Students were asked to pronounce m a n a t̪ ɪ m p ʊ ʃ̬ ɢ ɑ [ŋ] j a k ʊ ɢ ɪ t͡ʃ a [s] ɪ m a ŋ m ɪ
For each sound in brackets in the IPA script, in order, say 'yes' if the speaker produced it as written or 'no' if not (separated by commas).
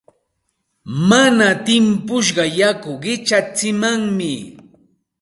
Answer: no, no